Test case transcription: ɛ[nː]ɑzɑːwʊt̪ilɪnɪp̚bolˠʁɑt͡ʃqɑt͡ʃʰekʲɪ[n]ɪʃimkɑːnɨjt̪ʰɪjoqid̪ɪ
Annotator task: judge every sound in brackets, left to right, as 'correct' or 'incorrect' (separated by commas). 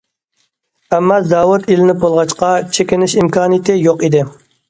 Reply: incorrect, correct